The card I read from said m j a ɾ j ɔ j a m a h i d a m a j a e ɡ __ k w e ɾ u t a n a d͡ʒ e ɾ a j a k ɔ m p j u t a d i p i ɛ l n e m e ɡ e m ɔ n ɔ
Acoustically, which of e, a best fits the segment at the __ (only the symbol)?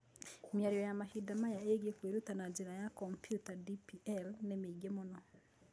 e